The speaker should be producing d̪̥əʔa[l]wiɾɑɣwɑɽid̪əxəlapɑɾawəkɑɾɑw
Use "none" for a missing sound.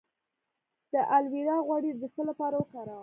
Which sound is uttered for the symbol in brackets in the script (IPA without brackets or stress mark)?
l